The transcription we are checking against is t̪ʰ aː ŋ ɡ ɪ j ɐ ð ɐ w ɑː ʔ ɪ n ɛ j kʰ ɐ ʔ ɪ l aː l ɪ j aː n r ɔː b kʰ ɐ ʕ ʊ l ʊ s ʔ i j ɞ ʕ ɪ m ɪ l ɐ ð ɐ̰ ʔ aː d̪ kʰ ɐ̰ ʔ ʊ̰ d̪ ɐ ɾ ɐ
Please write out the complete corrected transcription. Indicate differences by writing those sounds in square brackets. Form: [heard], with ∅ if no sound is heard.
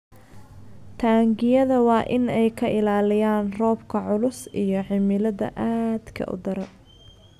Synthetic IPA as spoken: t̪ʰ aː ŋ ɡ ɪ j ɐ ð ɐ w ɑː ʔ ɪ n ɛ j kʰ ɐ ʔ ɪ l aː l ɪ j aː n r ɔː b kʰ ɐ ʕ ʊ l ʊ s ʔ i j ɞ ʕ ɪ m ɪ l ɐ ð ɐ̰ ʔ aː d̪ kʰ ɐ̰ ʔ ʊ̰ d̪ ɐ ɾ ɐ